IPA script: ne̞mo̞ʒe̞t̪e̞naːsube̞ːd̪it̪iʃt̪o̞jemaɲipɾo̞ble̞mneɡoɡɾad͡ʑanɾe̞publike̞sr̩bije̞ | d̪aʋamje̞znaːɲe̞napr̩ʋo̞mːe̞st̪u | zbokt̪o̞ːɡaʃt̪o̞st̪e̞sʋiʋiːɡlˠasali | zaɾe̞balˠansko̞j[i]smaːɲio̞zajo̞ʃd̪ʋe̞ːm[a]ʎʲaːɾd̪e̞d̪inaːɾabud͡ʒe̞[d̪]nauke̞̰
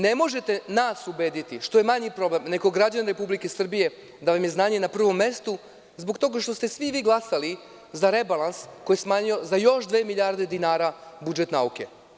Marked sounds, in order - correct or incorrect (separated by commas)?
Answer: incorrect, incorrect, incorrect